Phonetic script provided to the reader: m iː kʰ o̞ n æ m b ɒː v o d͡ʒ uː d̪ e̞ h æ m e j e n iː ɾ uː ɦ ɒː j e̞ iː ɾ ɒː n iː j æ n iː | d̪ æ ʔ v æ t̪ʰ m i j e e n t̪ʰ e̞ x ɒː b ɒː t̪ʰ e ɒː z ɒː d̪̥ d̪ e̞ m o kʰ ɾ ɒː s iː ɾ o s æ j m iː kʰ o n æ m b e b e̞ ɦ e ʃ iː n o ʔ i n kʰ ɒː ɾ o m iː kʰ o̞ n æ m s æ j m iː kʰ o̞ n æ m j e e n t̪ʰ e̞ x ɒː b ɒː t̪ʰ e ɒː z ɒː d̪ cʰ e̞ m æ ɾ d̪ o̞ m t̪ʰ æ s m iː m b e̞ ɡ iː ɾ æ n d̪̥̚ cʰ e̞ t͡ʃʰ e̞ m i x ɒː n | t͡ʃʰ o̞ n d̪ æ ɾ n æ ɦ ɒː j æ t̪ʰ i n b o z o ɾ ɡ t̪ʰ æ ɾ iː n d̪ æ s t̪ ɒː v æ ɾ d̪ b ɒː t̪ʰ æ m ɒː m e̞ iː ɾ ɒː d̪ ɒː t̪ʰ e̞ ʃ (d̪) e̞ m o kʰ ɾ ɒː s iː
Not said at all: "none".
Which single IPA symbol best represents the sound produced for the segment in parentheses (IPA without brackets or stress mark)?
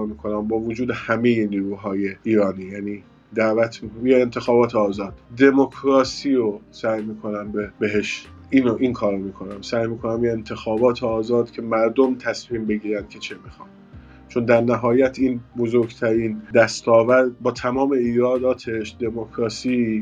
d̪